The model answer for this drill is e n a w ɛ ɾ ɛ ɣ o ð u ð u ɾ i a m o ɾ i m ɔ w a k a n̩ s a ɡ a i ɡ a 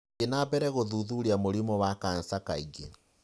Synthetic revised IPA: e n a b ɛ ɾ ɛ ɣ o ð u ð u ɾ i a m o ɾ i m ɔ w a k a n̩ s a k a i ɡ e